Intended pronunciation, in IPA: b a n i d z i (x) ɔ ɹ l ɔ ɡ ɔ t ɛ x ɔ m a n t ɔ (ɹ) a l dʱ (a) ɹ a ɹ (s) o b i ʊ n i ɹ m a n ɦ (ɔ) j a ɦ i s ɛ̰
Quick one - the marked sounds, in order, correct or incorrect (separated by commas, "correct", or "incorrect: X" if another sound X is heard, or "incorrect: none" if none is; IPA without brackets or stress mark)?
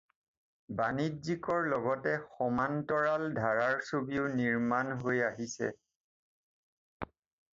incorrect: k, correct, correct, correct, incorrect: o